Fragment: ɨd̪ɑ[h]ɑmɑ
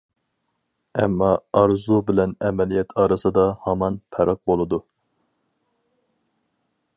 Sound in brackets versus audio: correct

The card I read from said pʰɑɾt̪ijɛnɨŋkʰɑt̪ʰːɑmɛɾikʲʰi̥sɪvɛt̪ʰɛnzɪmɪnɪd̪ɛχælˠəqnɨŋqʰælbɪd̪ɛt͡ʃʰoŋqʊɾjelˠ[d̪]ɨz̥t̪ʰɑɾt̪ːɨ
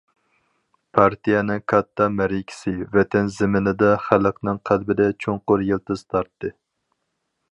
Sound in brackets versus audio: incorrect: t̪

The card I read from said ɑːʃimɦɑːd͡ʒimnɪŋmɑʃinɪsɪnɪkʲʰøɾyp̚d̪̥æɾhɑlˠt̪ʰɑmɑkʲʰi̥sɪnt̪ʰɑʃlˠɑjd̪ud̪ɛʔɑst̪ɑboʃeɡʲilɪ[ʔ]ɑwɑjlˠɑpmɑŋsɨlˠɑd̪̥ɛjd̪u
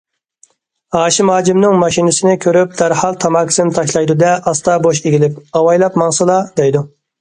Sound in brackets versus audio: incorrect: p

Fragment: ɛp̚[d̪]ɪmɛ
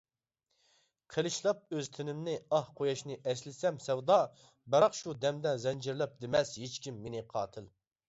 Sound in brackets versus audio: correct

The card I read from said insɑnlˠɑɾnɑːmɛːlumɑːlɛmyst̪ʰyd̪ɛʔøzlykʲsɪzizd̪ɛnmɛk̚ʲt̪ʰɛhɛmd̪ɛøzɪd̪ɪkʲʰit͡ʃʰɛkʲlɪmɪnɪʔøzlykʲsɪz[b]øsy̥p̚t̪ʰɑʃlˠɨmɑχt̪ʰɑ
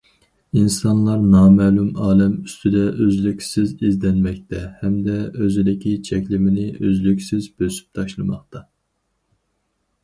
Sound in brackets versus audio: correct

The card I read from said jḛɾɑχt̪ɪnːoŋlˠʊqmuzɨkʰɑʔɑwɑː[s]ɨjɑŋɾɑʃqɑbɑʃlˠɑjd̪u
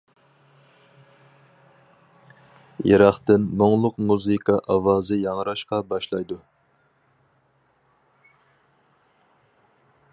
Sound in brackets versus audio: incorrect: z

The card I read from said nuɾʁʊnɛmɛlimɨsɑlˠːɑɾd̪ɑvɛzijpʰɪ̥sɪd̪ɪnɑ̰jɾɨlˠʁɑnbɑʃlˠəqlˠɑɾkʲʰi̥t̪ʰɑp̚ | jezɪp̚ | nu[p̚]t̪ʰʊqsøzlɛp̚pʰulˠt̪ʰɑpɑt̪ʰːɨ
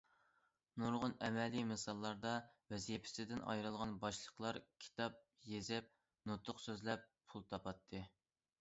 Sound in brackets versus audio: incorrect: none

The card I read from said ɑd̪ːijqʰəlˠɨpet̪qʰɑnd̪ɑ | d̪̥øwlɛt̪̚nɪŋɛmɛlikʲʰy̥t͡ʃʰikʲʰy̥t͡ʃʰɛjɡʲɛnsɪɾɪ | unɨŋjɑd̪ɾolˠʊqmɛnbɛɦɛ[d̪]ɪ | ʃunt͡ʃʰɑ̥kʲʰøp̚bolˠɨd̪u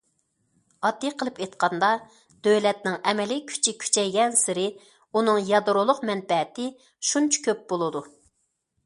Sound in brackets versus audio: incorrect: t̪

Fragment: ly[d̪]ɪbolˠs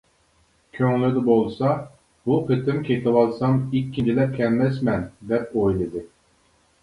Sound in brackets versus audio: correct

